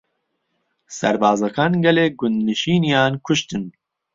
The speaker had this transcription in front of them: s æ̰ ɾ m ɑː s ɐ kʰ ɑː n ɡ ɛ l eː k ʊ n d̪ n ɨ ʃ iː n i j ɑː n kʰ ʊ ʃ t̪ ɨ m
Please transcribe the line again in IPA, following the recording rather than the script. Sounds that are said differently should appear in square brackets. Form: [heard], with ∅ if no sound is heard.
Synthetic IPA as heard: s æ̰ ɾ [b] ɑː [z] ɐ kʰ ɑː n ɡ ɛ l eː [ɡ] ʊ n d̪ n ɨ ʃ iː n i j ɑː n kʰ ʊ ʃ t̪ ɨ [n]